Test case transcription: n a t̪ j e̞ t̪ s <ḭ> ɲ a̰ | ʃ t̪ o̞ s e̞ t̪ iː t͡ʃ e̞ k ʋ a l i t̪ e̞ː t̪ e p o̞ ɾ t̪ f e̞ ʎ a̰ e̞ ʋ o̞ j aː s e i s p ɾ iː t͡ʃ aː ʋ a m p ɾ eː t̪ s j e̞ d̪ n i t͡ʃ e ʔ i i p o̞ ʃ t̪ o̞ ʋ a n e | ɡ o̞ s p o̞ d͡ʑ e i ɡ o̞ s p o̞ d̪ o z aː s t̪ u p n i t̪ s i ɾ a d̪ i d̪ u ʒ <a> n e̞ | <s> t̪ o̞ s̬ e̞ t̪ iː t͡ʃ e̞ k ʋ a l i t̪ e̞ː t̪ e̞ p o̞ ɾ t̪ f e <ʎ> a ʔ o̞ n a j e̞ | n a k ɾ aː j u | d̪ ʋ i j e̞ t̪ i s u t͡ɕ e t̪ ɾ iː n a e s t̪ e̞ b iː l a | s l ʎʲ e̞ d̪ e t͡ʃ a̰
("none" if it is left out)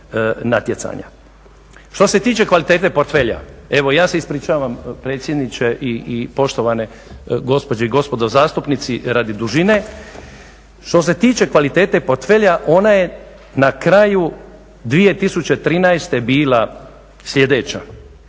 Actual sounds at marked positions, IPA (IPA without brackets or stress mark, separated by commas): a̰, i, ʃ, ʎ